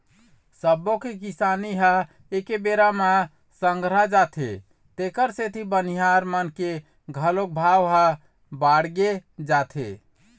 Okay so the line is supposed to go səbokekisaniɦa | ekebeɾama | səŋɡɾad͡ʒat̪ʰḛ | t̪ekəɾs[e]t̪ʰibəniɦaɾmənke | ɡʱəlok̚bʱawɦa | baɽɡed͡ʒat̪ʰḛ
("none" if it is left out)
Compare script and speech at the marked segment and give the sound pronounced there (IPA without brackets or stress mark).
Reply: e